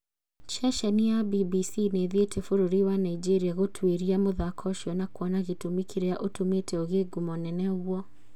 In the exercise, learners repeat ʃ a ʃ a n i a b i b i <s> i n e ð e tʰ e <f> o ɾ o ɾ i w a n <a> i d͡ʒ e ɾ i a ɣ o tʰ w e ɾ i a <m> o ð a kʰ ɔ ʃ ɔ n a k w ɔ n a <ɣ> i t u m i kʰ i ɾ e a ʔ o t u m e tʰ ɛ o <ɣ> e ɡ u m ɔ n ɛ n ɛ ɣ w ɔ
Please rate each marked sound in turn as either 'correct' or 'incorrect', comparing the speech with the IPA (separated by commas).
correct, correct, correct, correct, correct, correct